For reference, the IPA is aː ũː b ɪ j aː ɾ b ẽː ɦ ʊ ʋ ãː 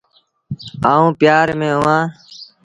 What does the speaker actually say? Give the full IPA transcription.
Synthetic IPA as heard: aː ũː p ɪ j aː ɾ m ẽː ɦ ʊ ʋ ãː